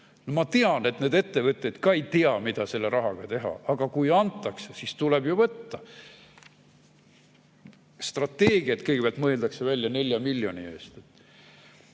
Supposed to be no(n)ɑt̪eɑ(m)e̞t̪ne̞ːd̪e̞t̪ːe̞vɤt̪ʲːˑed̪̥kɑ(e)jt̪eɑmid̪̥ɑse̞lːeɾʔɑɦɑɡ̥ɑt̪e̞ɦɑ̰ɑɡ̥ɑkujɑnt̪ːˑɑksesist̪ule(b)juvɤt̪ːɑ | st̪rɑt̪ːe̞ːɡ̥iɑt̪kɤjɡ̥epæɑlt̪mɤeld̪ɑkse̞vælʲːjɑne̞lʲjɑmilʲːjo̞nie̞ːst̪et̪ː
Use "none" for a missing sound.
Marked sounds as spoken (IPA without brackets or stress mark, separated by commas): m, n, e, b